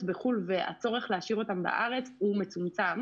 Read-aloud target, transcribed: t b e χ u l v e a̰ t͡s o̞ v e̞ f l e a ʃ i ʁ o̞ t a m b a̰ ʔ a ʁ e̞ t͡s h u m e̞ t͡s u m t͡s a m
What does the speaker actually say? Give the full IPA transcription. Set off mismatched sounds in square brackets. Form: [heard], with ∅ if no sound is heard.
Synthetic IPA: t b e χ u l v e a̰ t͡s o̞ [ʁ] e̞ [χ] l e a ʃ i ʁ o̞ t a m b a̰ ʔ a ʁ e̞ t͡s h u m e̞ t͡s u m t͡s a m